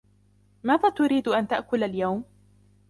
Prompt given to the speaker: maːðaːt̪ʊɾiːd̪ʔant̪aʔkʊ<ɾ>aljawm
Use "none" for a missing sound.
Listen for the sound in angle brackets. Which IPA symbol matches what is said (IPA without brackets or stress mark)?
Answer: l